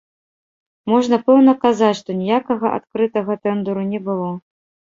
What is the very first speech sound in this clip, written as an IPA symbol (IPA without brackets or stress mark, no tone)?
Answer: m